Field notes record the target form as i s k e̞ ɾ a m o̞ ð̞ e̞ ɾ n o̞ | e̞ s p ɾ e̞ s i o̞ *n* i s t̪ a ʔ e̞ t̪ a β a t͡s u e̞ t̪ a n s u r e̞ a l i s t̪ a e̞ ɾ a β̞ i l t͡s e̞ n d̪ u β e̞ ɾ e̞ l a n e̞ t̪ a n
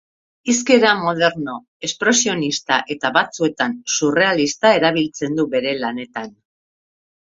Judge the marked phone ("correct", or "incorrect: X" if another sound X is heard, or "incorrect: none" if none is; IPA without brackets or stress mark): correct